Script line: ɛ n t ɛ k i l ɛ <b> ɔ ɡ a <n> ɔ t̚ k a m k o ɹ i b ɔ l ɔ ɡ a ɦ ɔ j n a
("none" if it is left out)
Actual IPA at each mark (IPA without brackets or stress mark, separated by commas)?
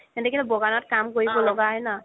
b, n